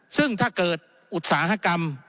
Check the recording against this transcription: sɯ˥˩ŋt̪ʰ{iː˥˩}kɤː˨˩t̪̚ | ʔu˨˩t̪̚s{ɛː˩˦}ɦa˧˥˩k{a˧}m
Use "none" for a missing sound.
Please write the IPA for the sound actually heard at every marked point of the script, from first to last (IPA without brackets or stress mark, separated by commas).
aː˥˩, aː˩˦, a˧